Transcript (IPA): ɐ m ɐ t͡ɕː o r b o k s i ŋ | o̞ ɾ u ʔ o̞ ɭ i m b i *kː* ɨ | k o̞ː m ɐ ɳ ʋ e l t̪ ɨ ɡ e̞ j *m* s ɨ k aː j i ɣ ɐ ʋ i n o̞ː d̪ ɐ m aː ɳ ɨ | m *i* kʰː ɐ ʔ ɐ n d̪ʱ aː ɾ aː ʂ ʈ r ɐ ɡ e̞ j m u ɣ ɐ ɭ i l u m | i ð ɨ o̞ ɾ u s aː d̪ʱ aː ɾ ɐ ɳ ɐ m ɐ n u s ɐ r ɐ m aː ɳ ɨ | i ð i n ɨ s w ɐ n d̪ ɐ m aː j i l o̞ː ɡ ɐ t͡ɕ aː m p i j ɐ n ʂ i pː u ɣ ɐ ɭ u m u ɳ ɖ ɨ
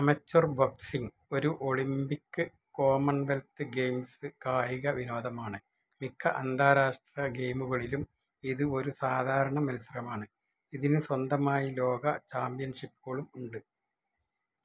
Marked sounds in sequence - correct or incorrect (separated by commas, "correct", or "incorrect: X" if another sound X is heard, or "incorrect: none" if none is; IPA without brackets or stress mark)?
correct, correct, correct